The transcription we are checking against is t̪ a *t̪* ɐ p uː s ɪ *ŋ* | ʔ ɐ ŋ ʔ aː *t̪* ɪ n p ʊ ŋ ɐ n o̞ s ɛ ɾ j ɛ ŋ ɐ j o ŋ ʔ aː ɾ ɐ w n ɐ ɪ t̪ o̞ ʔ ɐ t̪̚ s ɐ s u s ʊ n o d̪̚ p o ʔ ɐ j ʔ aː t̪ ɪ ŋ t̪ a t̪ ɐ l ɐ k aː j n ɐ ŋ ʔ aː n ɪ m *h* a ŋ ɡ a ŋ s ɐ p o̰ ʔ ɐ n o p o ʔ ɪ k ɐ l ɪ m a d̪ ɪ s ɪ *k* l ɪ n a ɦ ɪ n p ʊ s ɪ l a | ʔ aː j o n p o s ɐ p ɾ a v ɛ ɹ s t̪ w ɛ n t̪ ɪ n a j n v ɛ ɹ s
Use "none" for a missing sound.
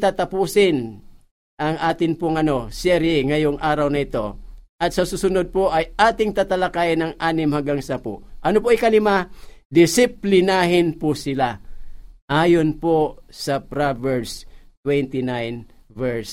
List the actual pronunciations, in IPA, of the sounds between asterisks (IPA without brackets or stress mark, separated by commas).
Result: t̪, n, t̪, h, p